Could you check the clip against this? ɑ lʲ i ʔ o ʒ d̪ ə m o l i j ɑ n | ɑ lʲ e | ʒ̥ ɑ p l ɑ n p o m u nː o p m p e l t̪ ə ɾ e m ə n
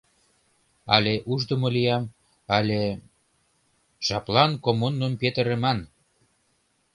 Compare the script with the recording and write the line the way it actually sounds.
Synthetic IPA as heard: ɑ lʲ e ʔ u ʒ d̪ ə m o l i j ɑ m | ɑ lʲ e | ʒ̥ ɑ p l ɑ n k o m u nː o m p e t̪ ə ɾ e m ɑ n